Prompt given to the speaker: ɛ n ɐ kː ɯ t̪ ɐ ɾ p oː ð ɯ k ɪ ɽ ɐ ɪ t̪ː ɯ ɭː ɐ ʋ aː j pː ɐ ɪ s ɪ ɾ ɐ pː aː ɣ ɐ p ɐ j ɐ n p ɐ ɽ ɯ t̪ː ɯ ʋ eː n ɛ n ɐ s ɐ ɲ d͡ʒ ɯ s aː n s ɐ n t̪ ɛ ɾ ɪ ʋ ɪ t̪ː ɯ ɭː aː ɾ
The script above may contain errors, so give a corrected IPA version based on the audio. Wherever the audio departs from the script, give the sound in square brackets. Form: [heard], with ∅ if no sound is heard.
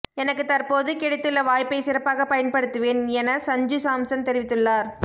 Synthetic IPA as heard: ɛ n ɐ kː ɯ t̪ ɐ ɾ p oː ð ɯ k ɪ ɽ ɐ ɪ t̪ː ɯ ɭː ɐ ʋ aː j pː ɐ ɪ s ɪ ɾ ɐ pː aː ɣ ɐ p ɐ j ɐ n p ɐ ɽ ɯ t̪ː ɯ ʋ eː n ɛ n ɐ s ɐ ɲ d͡ʒ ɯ s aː [m] s ɐ n t̪ ɛ ɾ ɪ ʋ ɪ t̪ː ɯ ɭː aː ɾ